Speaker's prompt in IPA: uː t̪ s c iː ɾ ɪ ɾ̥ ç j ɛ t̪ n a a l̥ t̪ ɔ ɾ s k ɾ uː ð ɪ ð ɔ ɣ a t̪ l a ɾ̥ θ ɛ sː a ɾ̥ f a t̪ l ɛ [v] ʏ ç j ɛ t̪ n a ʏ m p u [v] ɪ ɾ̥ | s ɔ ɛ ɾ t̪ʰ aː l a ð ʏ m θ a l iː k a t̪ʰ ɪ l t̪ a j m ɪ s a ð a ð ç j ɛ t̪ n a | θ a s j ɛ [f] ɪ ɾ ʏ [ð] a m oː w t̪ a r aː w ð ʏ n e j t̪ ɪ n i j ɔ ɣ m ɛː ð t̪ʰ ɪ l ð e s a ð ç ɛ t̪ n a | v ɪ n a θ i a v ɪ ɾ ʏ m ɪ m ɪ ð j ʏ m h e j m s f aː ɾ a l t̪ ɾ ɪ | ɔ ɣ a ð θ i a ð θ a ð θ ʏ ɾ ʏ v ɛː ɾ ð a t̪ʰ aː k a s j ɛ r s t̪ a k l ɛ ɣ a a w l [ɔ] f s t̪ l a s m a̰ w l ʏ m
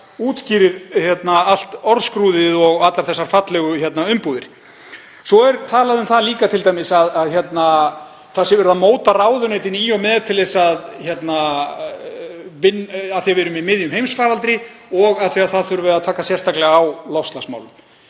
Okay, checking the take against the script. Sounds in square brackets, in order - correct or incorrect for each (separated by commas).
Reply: incorrect, incorrect, incorrect, correct, correct